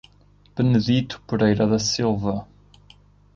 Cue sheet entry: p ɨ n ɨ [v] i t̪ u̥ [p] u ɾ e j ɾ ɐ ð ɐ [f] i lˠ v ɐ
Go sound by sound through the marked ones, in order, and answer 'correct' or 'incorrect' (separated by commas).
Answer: incorrect, correct, incorrect